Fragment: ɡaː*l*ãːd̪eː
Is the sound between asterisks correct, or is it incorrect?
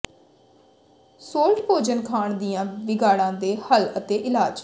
incorrect: ɽ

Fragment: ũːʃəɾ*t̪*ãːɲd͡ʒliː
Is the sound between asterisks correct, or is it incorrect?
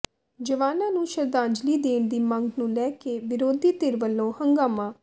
incorrect: d̪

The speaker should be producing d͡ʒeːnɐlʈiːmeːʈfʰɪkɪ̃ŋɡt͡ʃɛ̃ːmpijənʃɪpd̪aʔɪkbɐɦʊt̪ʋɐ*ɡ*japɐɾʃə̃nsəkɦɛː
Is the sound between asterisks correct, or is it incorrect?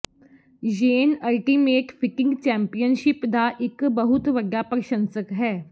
correct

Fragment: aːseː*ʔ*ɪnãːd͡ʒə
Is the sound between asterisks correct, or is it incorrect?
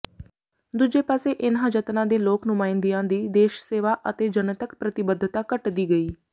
correct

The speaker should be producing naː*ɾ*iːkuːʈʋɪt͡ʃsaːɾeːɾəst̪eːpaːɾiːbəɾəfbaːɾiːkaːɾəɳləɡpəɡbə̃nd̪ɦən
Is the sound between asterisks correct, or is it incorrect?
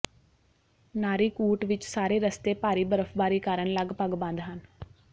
correct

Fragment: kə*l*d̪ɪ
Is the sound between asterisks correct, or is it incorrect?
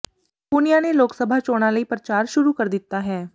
incorrect: ɾ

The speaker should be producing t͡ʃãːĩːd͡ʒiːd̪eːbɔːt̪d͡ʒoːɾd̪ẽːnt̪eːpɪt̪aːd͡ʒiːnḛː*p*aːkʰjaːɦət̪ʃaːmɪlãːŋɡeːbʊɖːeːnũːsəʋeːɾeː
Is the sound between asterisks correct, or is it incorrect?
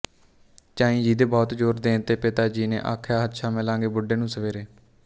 incorrect: ʔ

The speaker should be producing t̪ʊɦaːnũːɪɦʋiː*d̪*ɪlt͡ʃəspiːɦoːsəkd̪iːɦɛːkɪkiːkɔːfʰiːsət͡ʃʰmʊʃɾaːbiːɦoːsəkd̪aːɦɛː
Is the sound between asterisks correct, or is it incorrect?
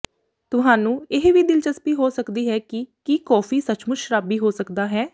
correct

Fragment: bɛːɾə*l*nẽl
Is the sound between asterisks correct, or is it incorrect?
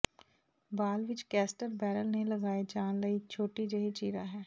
correct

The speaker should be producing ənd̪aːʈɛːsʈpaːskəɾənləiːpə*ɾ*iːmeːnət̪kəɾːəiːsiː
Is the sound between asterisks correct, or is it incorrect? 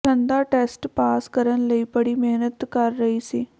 incorrect: ɽ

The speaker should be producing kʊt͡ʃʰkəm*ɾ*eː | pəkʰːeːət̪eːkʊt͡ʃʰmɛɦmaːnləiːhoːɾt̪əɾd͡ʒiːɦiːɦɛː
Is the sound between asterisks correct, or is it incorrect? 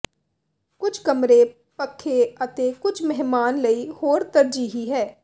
correct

